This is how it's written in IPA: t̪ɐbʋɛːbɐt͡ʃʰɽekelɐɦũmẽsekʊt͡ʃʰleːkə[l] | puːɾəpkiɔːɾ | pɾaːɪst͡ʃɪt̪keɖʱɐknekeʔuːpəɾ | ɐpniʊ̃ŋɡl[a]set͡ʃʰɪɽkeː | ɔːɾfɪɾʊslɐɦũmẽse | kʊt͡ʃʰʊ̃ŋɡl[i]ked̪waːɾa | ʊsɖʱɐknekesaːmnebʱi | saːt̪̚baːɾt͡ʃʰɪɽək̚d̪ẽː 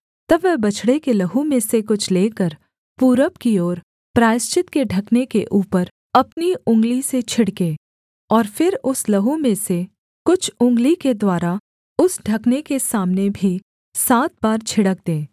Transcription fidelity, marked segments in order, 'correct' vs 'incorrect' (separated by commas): incorrect, incorrect, correct